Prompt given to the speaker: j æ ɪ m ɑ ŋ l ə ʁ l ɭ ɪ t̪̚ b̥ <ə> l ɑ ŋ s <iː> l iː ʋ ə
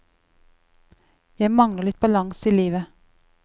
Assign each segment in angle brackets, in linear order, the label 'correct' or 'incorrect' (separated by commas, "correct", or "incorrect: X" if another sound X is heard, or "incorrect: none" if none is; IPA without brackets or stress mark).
incorrect: ɑ, correct